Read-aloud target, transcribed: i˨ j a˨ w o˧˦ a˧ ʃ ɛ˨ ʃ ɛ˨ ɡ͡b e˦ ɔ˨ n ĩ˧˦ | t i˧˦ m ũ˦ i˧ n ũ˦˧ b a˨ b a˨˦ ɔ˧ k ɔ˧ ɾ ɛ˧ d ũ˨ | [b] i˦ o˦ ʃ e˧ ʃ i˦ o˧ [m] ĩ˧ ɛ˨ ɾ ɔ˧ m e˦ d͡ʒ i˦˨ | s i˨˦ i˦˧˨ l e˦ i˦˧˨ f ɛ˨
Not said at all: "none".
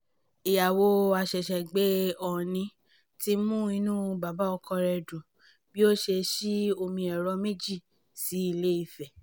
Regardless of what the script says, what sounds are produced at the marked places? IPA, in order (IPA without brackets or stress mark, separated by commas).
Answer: b, m